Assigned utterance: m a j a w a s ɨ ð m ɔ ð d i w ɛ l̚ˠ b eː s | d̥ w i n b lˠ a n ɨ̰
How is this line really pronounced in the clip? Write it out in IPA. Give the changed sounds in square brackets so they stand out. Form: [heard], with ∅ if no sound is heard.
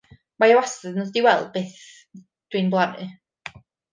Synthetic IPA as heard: m a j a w a s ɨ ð [n] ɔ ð d i w ɛ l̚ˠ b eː [θ] | d̥ w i n b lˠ a n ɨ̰

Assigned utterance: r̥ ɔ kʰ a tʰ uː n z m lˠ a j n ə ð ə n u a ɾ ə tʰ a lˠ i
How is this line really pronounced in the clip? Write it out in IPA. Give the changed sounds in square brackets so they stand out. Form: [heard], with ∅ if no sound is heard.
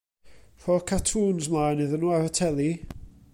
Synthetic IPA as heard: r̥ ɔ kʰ a tʰ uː n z m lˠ a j n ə ð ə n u a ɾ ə tʰ [ɛ] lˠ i

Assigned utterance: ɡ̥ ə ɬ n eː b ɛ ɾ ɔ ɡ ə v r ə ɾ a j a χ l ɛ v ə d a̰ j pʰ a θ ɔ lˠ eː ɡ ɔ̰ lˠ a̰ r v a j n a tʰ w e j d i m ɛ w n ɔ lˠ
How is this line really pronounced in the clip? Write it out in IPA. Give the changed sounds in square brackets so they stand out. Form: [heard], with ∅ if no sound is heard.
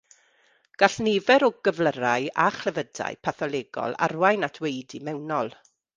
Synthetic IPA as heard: ɡ̥ [a] ɬ n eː [v] ɛ ɾ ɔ ɡ ə v [l] ə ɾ a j a χ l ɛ v ə d a̰ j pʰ a θ ɔ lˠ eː ɡ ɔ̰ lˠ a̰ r [w] a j n a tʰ w e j d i m ɛ w n ɔ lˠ

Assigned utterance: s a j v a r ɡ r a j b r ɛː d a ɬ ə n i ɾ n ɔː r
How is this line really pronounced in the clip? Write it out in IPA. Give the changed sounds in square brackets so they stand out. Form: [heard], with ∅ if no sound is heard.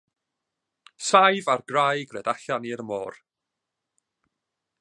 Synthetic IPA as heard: s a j v a r ɡ r a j [ɡ] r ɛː d a ɬ [a] n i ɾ [m] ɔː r

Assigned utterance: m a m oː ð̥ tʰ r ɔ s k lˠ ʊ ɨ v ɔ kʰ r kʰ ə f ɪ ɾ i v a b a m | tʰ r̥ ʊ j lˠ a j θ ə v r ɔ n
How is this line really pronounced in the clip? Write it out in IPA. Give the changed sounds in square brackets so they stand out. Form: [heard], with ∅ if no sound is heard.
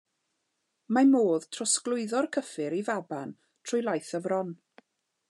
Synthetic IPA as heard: m a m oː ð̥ tʰ r ɔ s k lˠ ʊ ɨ [ð] ɔ [∅] r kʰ ə f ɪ ɾ i v a b a [n] | tʰ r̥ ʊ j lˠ a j θ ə v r ɔ n

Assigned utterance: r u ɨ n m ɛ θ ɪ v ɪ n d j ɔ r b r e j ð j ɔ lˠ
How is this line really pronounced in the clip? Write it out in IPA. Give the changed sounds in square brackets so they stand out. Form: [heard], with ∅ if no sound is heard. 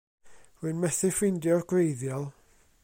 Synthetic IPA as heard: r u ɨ n m ɛ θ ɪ [f] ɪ n d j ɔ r [ɡ] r e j ð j ɔ lˠ

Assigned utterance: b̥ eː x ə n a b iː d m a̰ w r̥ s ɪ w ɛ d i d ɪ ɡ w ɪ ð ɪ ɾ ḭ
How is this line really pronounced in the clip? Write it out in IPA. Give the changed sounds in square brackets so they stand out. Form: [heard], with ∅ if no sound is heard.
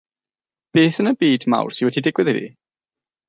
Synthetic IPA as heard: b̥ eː [θ] ə n [ə] b iː d m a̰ w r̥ s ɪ w ɛ d i d ɪ ɡ w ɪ ð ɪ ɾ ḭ

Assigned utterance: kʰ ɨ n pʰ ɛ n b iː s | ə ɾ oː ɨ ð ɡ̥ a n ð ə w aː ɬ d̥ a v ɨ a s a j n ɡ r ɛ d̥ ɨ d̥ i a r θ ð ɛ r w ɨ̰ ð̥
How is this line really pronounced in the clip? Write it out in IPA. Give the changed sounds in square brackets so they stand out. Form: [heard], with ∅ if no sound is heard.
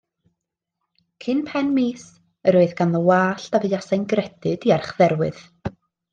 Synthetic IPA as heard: kʰ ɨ n pʰ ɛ n [m] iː s | ə ɾ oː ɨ ð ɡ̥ a n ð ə w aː ɬ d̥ a v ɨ a s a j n ɡ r ɛ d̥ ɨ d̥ i a r [χ] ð ɛ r w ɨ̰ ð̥

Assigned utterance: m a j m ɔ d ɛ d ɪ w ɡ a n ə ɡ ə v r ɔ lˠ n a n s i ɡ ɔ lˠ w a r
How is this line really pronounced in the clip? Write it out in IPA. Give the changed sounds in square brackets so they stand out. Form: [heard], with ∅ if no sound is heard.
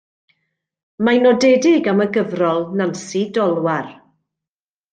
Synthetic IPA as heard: m a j [n] ɔ d ɛ d ɪ [∅] ɡ a [m] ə ɡ ə v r ɔ lˠ n a n s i [d] ɔ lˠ w a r

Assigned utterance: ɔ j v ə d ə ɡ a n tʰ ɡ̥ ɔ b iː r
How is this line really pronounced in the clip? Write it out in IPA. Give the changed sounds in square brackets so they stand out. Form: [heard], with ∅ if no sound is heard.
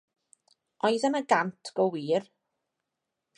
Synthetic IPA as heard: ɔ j [ð] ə [n] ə ɡ a n tʰ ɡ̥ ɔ [w] iː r

